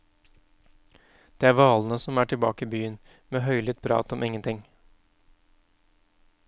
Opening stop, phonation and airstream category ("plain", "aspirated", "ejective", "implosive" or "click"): plain